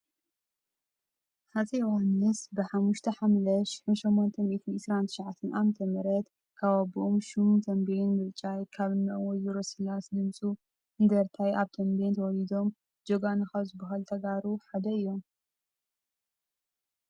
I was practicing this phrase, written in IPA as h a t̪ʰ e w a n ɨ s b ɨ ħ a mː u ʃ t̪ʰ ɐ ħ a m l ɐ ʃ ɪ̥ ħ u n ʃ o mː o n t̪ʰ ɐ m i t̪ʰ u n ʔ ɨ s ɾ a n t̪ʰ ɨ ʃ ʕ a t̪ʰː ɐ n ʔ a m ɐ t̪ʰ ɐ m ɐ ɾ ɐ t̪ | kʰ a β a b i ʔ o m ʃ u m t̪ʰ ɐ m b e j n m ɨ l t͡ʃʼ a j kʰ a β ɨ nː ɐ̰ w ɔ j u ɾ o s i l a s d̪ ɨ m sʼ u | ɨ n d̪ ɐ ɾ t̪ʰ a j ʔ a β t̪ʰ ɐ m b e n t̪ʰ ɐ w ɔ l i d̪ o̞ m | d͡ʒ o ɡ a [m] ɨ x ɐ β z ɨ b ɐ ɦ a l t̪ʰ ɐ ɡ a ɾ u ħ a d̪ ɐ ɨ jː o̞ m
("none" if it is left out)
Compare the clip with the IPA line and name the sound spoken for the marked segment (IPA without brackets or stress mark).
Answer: n